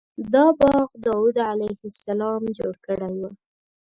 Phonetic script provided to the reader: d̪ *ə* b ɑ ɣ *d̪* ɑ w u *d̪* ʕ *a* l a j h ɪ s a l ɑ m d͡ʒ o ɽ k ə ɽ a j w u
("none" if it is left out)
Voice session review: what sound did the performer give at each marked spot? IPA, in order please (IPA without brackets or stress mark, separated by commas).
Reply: ɑ, d̪, d̪, a